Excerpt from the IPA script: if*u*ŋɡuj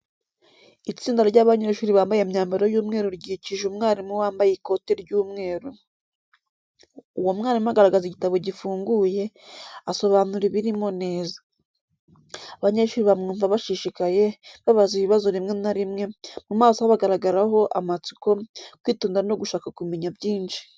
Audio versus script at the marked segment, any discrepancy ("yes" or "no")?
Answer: yes